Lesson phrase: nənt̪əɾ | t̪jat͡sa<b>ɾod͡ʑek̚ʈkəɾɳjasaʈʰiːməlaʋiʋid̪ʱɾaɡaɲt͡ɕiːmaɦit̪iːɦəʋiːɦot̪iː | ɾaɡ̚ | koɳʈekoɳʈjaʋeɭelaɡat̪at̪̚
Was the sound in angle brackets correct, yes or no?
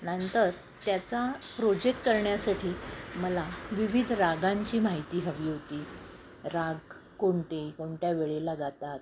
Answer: no